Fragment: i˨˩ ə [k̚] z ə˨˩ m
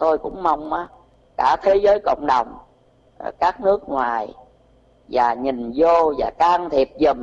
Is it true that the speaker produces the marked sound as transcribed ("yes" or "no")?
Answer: no